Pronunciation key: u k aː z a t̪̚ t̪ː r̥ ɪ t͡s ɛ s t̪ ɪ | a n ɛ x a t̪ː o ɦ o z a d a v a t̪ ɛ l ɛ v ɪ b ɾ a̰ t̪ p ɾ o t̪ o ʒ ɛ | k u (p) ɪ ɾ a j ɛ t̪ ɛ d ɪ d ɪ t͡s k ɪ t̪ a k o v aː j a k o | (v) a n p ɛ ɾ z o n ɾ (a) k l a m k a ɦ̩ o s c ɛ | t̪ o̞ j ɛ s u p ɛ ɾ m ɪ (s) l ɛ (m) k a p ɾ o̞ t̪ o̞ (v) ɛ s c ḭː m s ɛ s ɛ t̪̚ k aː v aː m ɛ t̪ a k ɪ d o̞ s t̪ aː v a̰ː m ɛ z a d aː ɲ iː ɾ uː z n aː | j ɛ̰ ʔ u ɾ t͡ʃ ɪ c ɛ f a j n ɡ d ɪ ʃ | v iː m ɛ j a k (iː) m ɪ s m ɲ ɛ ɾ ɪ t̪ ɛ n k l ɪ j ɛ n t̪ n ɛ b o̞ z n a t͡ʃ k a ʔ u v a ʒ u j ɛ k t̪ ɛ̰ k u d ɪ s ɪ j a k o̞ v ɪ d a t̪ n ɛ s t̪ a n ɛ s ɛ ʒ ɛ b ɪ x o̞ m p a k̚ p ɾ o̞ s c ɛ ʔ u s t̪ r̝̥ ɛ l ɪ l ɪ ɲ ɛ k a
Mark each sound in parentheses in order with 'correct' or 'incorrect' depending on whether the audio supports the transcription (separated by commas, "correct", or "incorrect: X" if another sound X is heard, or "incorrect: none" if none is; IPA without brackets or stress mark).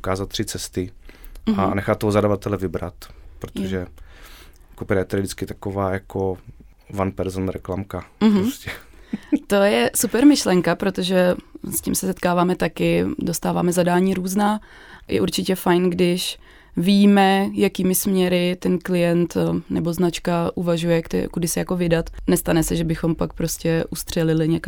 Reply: correct, correct, incorrect: ɛ, incorrect: ʃ, incorrect: ŋ, incorrect: ʒ, correct